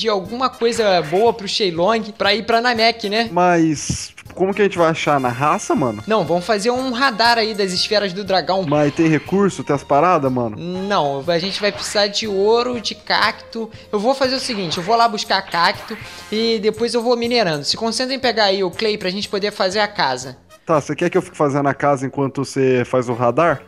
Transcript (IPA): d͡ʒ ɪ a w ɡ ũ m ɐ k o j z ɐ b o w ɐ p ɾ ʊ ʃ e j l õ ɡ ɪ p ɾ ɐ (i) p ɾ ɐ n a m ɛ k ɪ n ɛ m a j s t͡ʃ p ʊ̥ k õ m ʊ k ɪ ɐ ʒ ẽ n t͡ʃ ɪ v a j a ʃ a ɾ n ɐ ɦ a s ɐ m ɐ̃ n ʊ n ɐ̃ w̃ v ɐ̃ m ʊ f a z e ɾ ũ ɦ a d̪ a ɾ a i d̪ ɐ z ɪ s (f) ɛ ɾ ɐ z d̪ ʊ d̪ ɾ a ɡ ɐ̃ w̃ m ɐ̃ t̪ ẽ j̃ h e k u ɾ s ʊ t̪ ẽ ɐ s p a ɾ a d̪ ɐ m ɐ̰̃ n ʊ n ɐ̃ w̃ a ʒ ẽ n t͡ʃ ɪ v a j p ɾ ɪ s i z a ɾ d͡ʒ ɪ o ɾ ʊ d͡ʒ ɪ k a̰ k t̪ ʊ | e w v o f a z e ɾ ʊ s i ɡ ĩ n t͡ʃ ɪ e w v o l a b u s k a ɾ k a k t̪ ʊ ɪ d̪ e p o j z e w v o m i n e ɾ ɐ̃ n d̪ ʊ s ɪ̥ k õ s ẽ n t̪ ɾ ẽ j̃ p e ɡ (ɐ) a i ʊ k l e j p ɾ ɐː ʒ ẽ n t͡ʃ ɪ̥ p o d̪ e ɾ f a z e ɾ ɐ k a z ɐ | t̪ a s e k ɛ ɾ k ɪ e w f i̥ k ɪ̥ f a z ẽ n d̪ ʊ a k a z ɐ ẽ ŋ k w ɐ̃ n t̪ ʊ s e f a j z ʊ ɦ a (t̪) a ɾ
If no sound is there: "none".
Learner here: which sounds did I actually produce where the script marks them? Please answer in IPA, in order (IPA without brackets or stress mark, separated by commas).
i, f, a, d̪